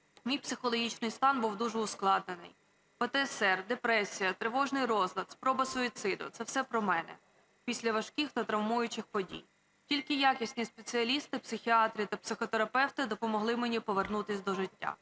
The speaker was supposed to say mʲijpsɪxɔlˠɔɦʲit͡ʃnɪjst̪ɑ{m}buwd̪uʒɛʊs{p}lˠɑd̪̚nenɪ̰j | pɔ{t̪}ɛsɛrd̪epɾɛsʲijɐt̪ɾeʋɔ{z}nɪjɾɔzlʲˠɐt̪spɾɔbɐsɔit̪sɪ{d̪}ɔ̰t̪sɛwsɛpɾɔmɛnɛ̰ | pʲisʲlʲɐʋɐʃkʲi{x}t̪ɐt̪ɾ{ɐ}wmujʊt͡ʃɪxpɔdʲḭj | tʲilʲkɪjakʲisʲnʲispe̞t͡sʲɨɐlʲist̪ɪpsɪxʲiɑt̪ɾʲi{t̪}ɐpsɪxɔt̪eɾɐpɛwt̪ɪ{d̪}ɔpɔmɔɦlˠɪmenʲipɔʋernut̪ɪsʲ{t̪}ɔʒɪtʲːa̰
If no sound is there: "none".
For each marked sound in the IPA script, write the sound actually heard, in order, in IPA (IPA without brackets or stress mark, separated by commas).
n, k, t̪, ʒ, d̪, x, ɐ, t̪, d̪, d̪